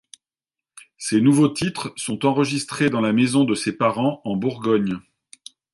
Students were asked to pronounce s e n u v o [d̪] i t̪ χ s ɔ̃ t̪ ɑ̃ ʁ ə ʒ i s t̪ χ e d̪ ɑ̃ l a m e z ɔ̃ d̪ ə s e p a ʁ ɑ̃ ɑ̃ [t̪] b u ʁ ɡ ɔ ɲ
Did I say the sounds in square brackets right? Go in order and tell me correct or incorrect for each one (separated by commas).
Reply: incorrect, incorrect